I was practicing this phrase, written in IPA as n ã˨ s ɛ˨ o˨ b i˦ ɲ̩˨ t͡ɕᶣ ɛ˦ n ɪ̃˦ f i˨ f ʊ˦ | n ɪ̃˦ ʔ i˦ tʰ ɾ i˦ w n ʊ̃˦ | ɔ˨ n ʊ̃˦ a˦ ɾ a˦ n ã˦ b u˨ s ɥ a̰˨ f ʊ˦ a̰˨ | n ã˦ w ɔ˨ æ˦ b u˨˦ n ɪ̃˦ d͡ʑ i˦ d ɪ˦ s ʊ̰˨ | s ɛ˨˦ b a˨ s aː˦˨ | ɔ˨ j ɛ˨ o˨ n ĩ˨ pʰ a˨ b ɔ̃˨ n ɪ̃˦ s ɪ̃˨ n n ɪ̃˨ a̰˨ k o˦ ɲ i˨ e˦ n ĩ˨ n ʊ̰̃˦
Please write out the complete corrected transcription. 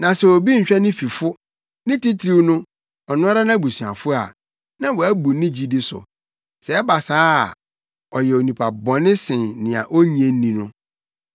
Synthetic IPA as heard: n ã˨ s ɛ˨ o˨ b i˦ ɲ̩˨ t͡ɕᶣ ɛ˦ n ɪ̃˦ f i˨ f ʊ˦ | n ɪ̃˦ t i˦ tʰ ɾ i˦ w n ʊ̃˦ | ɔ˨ n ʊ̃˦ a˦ ɾ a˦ n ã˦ b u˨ s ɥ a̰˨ f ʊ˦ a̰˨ | n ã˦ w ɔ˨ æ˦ b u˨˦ n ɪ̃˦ d͡ʑ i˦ d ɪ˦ s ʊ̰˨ | s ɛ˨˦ b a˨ s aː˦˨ | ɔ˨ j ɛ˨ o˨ n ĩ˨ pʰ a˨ b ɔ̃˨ n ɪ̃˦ s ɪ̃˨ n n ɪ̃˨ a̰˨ ʔ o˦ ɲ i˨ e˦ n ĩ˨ n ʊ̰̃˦